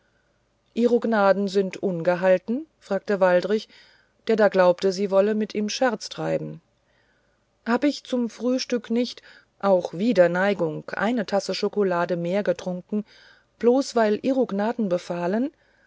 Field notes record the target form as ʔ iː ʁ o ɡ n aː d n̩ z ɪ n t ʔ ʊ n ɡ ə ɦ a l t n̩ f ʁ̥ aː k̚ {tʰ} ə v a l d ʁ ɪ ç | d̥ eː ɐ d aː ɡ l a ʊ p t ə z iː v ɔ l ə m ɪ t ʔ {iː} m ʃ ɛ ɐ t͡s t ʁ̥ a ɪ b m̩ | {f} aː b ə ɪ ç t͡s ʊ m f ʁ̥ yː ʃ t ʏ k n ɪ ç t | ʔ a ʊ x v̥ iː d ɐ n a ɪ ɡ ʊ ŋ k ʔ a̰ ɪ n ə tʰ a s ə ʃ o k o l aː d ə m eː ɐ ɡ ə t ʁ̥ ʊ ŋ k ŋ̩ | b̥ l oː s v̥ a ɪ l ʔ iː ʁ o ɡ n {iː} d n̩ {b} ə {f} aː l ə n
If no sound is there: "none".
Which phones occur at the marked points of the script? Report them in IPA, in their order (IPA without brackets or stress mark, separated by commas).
t, iː, h, aː, b, f